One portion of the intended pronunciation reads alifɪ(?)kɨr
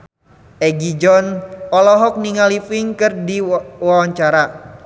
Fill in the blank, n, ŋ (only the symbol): ŋ